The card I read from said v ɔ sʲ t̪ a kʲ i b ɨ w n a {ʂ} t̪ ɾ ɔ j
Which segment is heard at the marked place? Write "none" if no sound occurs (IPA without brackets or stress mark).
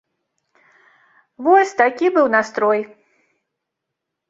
s